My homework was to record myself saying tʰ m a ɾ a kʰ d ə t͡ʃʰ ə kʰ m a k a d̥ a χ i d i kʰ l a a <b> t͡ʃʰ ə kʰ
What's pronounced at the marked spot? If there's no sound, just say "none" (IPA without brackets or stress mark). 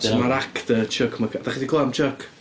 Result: m